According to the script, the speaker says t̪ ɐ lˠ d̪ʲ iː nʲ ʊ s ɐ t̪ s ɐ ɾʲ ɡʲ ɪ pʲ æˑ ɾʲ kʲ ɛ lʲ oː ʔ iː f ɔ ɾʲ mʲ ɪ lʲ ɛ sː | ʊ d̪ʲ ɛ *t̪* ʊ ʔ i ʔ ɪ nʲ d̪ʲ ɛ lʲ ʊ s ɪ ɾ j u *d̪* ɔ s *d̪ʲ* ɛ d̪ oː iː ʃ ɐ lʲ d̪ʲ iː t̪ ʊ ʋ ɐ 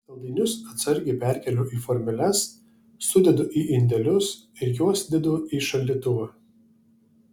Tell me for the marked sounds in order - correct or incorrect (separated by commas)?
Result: incorrect, incorrect, correct